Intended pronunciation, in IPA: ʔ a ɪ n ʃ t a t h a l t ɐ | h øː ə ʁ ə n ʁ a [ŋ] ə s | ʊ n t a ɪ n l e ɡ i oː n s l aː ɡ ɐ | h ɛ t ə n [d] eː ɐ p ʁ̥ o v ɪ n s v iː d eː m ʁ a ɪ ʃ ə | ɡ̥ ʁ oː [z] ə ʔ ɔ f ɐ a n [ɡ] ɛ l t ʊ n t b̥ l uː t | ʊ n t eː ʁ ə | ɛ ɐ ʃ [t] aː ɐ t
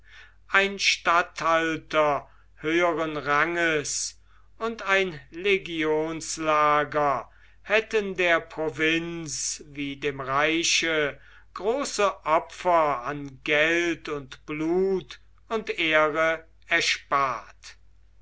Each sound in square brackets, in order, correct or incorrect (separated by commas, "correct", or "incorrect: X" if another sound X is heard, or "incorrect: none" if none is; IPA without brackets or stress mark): correct, correct, incorrect: s, correct, incorrect: p